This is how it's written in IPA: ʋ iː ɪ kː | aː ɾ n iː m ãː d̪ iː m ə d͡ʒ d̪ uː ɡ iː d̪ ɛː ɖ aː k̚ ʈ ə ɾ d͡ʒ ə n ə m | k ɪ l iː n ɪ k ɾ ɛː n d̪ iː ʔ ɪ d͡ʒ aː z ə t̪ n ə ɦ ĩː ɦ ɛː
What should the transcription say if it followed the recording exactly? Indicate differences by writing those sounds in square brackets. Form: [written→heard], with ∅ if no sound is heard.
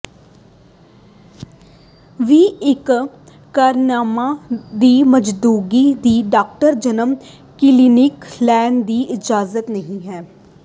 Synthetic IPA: ʋ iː ɪ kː | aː ɾ n [iː→aː] m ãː d̪ iː m ə d͡ʒ d̪ uː ɡ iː d̪ [ɛː→iː] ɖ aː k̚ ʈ ə ɾ d͡ʒ ə n ə m | k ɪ l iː n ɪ k [ɾ→l] ɛː n d̪ iː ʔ ɪ d͡ʒ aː z ə t̪ n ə ɦ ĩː ɦ ɛː